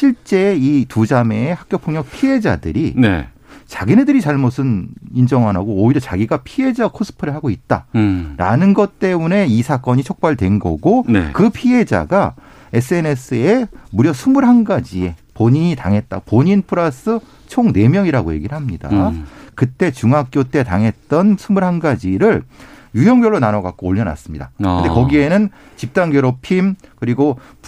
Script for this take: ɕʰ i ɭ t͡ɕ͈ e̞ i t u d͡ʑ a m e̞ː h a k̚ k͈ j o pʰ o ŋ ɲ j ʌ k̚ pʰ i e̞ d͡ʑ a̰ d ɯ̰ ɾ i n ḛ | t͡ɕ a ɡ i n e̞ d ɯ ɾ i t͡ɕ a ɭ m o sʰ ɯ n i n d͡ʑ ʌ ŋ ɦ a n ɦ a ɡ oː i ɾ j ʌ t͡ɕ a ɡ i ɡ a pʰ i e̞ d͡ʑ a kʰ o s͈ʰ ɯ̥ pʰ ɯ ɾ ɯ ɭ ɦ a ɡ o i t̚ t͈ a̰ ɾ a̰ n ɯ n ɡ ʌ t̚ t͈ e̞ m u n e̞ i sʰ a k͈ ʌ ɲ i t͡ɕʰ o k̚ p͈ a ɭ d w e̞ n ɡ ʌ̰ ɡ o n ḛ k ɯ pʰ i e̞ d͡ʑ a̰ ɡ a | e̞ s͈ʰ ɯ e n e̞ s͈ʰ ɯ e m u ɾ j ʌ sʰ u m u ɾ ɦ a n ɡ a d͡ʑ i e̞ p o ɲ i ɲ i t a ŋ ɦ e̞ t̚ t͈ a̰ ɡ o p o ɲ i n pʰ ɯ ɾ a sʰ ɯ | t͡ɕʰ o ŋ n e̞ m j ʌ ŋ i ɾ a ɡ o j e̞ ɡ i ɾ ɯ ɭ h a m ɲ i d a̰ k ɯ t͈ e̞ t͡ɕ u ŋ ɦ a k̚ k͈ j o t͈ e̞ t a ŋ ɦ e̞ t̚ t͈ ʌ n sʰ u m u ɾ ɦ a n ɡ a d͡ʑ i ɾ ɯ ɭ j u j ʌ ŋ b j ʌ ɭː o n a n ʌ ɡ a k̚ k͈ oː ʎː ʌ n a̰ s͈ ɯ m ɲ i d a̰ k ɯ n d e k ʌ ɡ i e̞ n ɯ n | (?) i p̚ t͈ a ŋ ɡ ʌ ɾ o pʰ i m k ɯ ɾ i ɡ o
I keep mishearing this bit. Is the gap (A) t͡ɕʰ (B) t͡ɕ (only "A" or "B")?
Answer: B